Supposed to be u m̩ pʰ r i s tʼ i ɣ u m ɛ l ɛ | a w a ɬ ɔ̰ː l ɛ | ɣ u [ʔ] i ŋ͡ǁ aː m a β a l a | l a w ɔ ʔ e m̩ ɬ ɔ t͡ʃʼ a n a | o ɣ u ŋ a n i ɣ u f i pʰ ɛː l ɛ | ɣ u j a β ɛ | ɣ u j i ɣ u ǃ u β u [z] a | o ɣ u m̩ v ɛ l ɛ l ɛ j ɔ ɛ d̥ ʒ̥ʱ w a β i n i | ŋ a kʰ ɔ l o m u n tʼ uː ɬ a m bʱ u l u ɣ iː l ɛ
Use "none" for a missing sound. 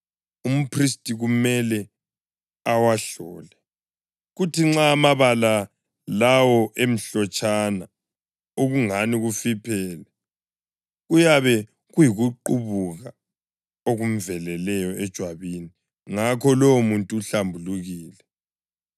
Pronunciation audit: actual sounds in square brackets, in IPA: t, ɣ

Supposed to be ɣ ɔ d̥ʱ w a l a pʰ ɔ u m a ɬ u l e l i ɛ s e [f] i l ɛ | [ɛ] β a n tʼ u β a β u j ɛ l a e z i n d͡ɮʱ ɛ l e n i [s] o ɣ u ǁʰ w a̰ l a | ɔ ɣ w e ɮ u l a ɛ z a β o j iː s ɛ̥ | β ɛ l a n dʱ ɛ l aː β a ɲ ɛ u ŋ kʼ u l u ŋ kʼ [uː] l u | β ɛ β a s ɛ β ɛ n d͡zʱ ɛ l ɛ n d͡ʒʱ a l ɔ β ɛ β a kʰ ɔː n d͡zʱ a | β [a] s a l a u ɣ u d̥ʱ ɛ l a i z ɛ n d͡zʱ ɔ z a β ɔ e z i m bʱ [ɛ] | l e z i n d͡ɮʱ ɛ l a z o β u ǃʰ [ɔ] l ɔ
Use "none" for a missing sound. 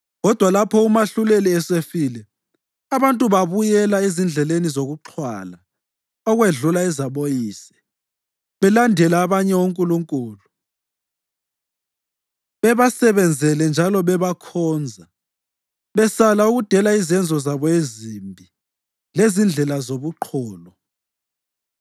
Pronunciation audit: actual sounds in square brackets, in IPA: f, a, z, uː, ɛ, i, ɔː

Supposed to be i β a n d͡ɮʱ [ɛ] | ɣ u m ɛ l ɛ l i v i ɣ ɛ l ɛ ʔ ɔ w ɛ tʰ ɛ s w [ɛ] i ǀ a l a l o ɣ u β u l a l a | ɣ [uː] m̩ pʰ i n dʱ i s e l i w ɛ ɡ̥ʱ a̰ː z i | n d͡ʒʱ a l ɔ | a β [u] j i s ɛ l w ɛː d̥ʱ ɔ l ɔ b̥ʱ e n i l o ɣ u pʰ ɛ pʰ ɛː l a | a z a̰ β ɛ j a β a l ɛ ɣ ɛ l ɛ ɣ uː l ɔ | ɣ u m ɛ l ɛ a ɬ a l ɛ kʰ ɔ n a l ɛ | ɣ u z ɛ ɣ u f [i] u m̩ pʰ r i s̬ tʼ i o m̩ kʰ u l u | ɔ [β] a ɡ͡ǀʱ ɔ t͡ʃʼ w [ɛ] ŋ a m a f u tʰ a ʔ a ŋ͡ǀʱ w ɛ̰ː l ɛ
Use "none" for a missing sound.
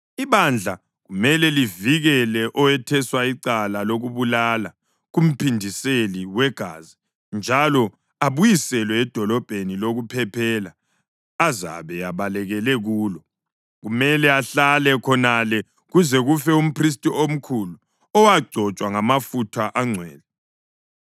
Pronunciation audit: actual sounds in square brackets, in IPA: a, a, u, u, ɛ, w, a

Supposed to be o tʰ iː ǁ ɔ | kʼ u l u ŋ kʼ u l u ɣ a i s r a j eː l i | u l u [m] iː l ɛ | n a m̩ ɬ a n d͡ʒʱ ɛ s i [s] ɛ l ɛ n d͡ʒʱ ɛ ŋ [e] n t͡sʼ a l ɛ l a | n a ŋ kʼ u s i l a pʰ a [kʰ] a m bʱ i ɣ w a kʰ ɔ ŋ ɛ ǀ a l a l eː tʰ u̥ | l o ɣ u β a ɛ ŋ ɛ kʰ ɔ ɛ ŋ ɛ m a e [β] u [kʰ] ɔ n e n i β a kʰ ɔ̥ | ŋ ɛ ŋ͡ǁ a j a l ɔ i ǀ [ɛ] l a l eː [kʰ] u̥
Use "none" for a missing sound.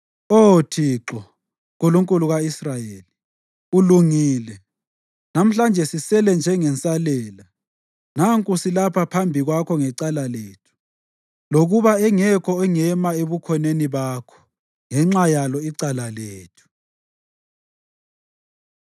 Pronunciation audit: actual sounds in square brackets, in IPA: ŋ, s, ɛ, pʰ, β, kʰ, a, tʰ

